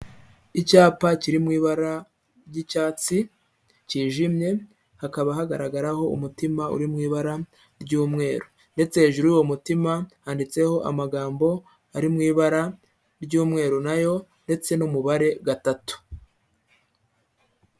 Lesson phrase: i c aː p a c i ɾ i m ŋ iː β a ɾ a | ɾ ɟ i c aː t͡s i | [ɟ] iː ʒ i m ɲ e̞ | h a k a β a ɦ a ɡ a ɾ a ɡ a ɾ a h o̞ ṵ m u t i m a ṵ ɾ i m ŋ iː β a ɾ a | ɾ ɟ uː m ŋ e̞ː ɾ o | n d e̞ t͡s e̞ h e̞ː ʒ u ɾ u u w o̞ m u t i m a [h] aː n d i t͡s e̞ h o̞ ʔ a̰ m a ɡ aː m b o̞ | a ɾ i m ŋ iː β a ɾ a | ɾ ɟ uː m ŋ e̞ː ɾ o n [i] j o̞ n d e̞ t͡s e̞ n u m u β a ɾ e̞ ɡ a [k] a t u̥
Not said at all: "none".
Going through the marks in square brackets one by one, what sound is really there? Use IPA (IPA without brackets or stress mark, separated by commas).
c, h, a, t